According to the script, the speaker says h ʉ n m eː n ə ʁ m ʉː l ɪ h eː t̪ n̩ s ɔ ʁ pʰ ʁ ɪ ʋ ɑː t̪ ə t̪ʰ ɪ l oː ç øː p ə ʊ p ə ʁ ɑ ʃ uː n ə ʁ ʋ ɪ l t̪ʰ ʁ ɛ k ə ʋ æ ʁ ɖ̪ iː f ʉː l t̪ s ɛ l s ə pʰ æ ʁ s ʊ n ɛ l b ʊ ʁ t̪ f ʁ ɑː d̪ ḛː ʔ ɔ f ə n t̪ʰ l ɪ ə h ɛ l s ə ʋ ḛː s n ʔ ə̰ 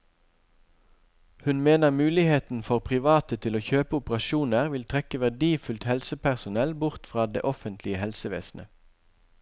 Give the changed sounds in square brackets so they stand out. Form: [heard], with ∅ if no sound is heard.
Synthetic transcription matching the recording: h ʉ n m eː n ə ʁ m ʉː l ɪ h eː t̪ n̩ [f] ɔ ʁ pʰ ʁ ɪ ʋ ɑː t̪ ə t̪ʰ ɪ l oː ç øː p ə ʊ p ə ʁ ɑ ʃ uː n ə ʁ ʋ ɪ l t̪ʰ ʁ ɛ k ə ʋ æ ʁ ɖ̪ iː f [ʉ] l t̪ [h] ɛ l s ə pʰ æ ʁ s ʊ n ɛ l b ʊ ʁ t̪ f ʁ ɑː d̪ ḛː ʔ ɔ f ə n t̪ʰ l ɪ ə h ɛ l s ə ʋ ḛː s n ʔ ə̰